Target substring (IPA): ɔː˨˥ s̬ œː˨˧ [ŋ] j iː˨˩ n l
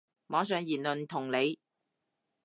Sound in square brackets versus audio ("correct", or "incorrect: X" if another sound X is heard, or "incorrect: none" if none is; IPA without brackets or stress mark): correct